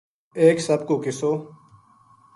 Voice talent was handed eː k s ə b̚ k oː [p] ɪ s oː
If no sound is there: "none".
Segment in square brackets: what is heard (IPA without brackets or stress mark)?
k